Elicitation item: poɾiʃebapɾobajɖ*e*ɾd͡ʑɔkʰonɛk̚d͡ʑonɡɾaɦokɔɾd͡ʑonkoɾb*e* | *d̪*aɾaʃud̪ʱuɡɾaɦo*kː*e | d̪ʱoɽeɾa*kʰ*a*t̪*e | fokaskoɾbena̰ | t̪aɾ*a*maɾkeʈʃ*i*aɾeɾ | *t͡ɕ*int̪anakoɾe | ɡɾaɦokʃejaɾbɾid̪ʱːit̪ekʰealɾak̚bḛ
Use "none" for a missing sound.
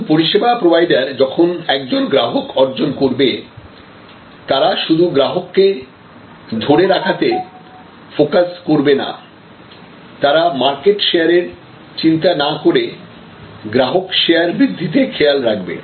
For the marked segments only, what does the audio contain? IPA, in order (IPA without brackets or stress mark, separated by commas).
a, e, t̪, kː, kʰ, t̪, a, e, t͡ɕ